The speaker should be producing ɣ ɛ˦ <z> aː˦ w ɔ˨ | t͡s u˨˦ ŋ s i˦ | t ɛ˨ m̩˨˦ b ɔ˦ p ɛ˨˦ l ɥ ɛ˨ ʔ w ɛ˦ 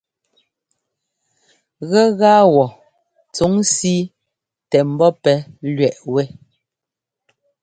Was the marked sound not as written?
yes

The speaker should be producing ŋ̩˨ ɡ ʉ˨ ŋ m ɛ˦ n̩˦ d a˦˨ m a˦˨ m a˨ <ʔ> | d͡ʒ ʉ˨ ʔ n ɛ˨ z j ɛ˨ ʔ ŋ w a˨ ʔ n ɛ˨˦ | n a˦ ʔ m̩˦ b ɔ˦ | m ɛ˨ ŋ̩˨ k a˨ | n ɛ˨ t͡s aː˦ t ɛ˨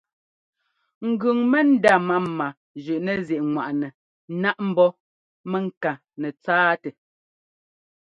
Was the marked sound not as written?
yes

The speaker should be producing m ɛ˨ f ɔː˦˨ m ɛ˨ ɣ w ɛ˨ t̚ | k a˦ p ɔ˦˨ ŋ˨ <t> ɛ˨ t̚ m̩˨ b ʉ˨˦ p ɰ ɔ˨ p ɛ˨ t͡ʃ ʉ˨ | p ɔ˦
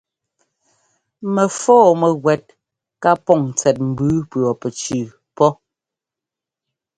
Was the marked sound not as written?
yes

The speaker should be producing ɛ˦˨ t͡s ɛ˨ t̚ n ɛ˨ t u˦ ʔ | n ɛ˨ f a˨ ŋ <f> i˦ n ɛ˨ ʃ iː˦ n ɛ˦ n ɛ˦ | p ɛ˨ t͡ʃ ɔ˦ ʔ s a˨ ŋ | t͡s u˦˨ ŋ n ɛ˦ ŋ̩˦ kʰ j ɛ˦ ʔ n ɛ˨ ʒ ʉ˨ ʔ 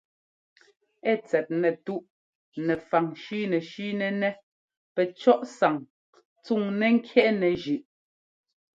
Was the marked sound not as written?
yes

